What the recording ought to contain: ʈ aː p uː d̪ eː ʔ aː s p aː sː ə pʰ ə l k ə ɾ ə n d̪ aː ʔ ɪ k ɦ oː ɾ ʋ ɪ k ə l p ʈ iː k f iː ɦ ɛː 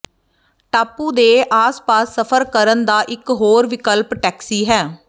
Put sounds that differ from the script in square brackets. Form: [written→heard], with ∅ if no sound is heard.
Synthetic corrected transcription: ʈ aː p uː d̪ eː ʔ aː s p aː sː ə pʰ ə [l→ɾ] k ə ɾ ə n d̪ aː ʔ ɪ k ɦ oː ɾ ʋ ɪ k ə l p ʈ [iː→ɛː] k [f→s] iː ɦ ɛː